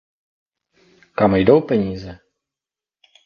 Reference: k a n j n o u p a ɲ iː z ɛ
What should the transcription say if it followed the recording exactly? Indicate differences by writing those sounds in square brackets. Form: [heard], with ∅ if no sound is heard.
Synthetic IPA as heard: k a [m] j [d] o [w] p [ɛ] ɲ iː z ɛ